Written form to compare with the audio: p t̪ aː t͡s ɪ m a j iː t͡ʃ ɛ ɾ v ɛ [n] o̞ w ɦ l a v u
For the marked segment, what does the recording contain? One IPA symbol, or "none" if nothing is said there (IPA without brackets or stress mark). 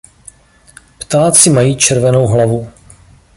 n